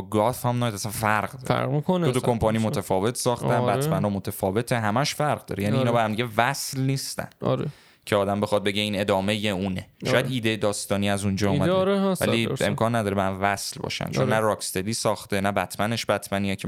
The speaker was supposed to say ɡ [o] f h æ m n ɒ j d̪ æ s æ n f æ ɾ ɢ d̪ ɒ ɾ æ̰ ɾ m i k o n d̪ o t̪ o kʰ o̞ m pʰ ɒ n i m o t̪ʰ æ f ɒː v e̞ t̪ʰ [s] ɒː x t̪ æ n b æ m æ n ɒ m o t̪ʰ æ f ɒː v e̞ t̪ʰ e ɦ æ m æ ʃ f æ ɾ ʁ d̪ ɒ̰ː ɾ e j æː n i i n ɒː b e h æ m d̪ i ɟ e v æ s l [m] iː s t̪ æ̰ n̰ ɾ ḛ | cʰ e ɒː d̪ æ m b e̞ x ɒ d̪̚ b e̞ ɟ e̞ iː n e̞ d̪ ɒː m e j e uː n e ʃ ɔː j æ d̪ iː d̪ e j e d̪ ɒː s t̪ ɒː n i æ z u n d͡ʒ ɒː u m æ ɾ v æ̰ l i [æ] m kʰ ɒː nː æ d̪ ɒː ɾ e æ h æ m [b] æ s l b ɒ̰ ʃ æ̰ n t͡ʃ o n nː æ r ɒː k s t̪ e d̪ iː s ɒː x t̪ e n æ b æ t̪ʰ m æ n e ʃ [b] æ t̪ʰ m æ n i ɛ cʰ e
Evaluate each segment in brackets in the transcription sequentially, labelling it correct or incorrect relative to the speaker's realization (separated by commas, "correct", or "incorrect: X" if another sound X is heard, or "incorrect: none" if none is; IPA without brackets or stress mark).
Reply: incorrect: ɒ, correct, incorrect: n, incorrect: e, incorrect: v, correct